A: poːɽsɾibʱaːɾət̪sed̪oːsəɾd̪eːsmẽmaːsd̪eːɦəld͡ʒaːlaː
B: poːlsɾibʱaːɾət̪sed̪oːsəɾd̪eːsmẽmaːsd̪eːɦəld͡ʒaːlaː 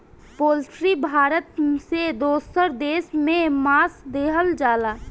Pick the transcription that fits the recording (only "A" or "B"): B